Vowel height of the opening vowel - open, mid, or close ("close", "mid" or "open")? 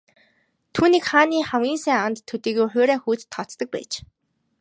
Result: close